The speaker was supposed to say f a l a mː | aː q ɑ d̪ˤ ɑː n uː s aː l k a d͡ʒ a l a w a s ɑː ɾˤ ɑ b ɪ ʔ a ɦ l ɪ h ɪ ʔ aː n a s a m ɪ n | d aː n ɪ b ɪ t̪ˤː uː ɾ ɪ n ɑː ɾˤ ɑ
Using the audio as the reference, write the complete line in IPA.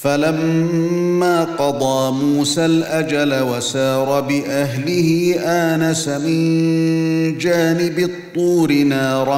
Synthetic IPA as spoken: f a l a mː | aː q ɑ d̪ˤ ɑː m uː s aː l ʔ a d͡ʒ a l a w a s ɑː ɾˤ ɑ b ɪ ʔ a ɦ l ɪ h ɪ ʔ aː n a s a m ɪ n | d͡ʒ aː n ɪ b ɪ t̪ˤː uː ɾ ɪ n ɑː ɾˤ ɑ